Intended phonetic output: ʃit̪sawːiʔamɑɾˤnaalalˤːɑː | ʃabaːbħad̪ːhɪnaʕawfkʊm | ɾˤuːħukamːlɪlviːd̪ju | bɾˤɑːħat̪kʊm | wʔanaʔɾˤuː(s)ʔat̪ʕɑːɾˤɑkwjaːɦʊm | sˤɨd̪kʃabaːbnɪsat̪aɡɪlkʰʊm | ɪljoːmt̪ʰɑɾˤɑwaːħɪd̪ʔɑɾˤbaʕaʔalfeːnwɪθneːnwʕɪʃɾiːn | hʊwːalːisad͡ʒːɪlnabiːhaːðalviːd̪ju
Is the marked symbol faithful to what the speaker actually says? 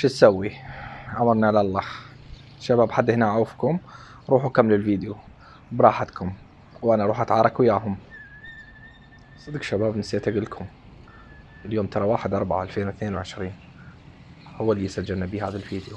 no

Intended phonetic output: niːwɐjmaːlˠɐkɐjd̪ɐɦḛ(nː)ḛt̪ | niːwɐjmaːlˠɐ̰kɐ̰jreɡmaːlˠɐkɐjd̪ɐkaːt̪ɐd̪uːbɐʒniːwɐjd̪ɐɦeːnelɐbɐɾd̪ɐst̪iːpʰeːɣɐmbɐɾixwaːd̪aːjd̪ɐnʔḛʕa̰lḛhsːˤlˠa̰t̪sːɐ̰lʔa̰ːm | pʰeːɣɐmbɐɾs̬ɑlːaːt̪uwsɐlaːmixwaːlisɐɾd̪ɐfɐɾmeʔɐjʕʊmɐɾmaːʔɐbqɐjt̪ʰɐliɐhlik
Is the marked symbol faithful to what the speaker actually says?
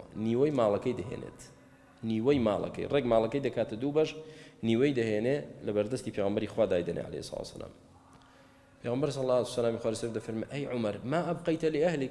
no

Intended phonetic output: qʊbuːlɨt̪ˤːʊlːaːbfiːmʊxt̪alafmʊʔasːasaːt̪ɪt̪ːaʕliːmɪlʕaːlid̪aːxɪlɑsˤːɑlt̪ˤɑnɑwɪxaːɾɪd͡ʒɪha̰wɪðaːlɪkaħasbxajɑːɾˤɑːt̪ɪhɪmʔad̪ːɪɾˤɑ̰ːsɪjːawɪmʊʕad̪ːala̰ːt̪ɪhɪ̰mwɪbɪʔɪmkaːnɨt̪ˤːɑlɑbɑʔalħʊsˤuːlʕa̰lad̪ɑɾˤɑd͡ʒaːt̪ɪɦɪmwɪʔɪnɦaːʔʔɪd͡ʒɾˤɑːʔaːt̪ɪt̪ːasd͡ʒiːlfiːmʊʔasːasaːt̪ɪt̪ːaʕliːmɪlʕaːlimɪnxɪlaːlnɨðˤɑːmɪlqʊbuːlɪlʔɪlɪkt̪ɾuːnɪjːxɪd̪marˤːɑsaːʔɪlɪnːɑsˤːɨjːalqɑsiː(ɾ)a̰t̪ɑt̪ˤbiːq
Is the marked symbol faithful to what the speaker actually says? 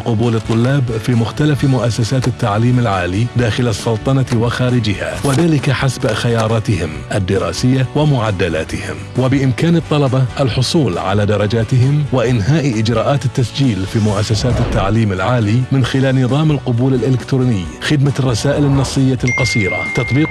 yes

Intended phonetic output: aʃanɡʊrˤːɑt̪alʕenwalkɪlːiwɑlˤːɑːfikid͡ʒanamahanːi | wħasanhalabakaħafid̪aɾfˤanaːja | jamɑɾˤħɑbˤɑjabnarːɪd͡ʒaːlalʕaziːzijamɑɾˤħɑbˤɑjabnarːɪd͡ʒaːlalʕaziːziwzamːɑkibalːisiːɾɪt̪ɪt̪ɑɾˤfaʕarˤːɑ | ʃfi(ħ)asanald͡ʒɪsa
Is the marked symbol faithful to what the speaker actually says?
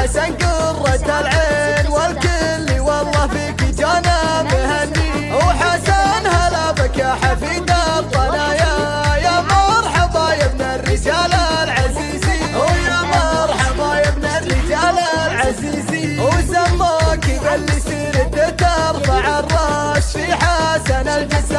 yes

